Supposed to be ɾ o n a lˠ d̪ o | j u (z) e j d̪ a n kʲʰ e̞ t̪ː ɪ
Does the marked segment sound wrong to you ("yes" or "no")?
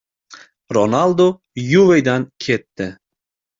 yes